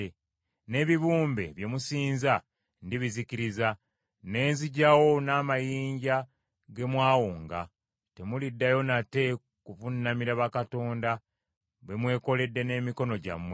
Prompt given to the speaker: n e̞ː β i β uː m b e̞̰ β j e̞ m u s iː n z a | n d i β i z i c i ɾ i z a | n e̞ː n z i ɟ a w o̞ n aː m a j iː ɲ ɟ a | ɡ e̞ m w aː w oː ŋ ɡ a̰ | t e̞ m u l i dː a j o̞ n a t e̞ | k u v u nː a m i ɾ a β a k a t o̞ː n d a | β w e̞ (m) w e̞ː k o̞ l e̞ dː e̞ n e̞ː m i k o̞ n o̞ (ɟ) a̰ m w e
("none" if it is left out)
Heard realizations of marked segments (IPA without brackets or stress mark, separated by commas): m, ɟ